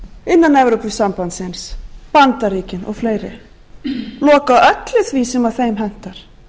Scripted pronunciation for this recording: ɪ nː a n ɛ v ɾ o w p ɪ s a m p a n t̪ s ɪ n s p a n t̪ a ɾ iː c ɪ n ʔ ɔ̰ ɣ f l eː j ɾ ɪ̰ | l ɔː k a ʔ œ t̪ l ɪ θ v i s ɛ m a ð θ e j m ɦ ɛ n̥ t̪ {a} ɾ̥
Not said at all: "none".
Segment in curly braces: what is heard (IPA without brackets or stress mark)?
a